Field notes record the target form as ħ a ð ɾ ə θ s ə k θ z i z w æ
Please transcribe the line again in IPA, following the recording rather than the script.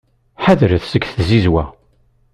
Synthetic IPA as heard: ħ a ð ɾ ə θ s ə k θ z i z w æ